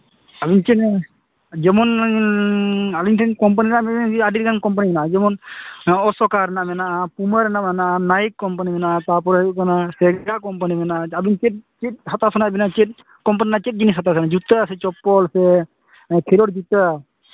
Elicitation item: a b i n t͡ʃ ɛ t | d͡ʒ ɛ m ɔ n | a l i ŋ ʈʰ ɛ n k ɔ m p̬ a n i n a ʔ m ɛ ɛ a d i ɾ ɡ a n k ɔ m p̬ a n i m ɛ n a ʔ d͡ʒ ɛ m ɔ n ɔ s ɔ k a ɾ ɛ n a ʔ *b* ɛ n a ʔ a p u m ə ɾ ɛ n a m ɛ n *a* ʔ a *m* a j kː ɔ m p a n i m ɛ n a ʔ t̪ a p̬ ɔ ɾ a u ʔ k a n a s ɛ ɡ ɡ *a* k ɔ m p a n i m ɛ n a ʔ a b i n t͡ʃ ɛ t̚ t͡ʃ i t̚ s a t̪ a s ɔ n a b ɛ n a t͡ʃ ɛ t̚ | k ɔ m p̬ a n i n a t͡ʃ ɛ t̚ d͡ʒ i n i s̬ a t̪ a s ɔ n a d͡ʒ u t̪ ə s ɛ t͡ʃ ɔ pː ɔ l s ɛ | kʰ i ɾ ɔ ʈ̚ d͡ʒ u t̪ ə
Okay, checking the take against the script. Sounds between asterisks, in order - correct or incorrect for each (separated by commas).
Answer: incorrect, correct, incorrect, correct